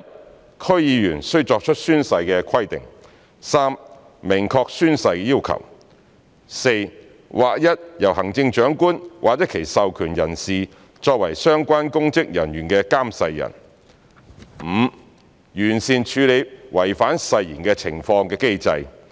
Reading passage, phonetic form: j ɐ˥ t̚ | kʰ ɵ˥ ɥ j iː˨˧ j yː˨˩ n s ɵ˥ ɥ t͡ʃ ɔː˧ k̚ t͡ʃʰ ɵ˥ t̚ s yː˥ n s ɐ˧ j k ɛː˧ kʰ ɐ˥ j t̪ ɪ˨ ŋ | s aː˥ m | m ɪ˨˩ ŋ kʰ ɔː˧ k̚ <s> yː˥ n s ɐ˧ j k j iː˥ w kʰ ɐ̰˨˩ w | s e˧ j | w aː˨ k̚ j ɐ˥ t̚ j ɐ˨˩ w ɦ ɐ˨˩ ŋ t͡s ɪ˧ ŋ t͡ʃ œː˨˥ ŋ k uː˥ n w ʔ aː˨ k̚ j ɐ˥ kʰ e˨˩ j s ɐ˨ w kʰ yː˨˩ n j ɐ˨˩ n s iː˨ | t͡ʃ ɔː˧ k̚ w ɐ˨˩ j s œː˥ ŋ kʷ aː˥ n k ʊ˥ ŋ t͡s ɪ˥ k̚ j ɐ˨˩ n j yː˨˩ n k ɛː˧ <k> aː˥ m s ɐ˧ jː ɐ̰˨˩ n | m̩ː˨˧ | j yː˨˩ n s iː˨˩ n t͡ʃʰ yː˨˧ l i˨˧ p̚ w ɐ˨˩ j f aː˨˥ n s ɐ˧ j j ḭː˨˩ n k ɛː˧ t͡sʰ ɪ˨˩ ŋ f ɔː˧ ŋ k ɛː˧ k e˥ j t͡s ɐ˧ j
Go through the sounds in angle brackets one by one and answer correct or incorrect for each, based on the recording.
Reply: correct, correct

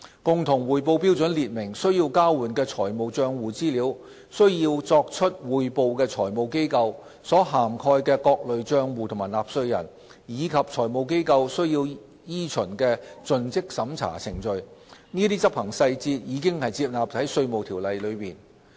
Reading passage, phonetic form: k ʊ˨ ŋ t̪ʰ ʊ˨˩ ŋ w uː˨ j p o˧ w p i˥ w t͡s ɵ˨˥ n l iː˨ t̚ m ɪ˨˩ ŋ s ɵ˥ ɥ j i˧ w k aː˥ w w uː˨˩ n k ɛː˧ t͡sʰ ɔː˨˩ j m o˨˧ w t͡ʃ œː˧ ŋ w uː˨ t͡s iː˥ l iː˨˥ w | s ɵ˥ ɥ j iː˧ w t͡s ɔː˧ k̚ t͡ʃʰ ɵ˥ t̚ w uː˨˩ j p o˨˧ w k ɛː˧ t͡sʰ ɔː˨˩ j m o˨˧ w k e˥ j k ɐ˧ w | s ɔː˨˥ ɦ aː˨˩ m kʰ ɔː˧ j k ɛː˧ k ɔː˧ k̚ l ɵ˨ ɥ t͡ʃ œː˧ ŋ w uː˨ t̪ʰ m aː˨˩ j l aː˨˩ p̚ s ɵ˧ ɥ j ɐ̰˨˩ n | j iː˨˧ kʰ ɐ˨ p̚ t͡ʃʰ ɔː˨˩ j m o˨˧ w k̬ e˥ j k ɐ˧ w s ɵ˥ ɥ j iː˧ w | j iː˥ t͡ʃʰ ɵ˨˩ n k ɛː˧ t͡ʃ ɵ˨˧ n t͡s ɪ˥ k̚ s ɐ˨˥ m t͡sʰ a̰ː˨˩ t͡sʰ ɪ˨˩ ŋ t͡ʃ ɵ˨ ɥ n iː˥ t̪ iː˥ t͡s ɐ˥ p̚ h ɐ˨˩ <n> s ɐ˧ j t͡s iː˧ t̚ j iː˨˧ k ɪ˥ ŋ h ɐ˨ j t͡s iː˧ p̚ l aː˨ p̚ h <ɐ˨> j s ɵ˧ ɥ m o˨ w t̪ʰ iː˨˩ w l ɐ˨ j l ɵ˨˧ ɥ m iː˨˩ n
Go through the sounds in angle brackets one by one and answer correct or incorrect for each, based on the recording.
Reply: incorrect, incorrect

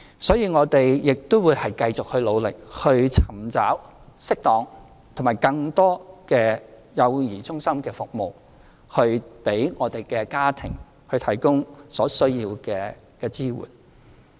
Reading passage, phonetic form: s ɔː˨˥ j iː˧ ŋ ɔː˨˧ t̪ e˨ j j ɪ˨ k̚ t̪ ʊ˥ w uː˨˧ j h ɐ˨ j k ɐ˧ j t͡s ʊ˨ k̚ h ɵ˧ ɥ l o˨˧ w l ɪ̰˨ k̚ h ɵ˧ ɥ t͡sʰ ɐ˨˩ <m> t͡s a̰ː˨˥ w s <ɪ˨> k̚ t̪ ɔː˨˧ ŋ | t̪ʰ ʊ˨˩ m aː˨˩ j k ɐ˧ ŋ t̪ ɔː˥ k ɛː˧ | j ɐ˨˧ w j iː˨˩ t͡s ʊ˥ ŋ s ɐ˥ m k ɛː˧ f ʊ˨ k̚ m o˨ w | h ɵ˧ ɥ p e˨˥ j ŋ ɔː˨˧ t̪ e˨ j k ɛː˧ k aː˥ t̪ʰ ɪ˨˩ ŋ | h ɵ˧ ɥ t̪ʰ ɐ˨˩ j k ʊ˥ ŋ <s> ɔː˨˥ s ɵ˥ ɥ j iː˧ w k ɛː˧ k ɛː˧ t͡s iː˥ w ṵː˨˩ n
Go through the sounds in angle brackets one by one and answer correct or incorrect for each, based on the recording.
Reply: correct, incorrect, correct

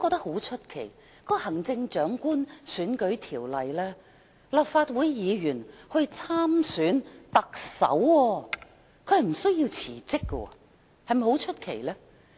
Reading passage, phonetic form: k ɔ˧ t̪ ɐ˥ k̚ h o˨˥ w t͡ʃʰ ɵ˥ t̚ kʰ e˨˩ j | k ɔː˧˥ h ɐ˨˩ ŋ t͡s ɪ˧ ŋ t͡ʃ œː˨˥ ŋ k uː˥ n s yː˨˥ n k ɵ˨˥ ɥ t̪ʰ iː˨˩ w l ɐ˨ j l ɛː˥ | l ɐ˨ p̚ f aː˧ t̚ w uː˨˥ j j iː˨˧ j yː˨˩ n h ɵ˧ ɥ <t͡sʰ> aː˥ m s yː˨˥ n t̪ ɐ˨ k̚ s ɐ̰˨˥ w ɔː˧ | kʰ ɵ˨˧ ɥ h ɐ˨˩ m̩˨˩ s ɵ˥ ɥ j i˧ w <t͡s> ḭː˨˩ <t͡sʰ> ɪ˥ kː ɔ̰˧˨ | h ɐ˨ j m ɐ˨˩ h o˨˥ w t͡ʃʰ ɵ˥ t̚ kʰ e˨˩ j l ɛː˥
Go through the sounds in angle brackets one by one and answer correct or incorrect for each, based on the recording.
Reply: correct, incorrect, incorrect

